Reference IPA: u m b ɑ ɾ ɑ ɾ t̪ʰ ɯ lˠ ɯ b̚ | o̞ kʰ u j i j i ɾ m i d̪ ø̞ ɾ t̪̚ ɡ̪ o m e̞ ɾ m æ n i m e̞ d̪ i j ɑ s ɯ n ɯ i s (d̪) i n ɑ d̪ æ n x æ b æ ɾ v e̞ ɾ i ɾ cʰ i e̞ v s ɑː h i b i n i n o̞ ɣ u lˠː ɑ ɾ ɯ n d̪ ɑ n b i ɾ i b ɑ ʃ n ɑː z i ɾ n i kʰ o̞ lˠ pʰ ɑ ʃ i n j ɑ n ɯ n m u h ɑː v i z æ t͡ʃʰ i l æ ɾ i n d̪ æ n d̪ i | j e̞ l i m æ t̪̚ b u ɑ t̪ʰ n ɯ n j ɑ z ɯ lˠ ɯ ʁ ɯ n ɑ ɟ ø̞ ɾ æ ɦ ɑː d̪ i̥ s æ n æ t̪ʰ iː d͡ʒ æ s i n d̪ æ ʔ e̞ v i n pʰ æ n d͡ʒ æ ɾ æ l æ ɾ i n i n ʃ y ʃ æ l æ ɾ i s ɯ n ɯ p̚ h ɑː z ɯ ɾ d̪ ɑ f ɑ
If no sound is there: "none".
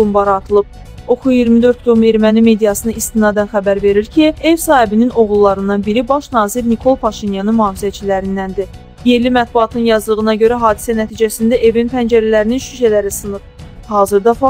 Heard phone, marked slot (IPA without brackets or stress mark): t̪